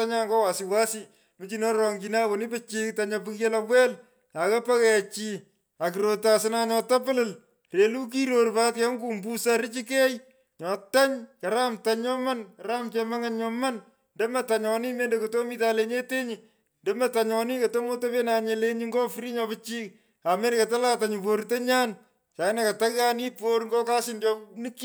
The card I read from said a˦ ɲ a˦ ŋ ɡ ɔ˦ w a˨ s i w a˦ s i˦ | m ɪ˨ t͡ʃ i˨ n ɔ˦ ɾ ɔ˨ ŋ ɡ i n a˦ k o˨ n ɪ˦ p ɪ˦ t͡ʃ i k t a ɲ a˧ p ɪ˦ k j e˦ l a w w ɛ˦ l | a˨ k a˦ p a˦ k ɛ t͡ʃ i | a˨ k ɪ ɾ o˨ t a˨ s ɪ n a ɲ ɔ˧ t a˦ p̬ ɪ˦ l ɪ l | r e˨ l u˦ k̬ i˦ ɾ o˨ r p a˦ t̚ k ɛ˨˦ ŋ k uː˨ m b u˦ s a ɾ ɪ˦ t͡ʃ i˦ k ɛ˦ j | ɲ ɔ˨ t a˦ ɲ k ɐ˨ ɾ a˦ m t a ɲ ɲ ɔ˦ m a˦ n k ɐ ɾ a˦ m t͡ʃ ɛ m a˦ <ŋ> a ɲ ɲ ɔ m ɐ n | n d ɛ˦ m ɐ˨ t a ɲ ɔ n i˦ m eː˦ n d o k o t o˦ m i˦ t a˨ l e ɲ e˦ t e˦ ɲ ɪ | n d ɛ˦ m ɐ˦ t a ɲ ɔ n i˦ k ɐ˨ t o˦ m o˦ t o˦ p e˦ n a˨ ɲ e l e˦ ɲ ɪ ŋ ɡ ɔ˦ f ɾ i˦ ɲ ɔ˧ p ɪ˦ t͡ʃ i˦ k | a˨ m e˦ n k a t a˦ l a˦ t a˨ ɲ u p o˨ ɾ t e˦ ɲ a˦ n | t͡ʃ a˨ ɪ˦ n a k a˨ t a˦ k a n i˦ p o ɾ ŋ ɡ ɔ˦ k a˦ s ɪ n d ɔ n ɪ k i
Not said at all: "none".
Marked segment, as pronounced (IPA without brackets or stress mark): ŋ